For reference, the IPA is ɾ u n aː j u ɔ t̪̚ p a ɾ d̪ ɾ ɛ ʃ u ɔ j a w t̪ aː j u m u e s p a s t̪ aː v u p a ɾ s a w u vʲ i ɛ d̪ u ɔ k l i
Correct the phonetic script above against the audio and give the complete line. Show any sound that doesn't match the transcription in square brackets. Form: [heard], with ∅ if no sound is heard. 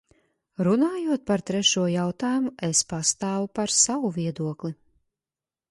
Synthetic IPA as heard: ɾ u n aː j u ɔ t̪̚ p a ɾ [t̪] ɾ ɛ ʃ u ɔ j a w t̪ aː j u m u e s p a s t̪ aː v u p a ɾ s a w u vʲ i ɛ d̪ u ɔ k l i